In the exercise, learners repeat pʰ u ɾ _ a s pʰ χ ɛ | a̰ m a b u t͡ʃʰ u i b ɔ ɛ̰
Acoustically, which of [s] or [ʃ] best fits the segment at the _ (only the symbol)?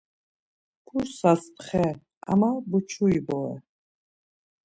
s